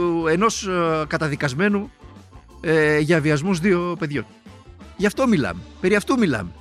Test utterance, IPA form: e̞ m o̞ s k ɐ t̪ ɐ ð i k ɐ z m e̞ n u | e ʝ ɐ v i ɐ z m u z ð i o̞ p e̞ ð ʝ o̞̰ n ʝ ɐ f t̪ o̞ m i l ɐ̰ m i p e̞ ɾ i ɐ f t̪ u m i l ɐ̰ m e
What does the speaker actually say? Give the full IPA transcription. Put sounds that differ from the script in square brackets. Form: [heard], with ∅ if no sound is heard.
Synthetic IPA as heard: e̞ [n] o̞ s k ɐ t̪ ɐ ð i k ɐ z m e̞ n u | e ʝ ɐ v i ɐ z m u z ð i o̞ p e̞ ð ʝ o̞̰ n ʝ ɐ f t̪ o̞ m i l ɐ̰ m [e] p e̞ ɾ i ɐ f t̪ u m i l ɐ̰ m e